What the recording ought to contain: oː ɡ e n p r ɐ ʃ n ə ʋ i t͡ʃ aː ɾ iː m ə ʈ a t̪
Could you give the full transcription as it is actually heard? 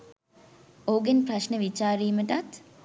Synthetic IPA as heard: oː ɡ e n p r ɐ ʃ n ə ʋ i t͡ʃ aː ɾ iː m ə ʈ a t̪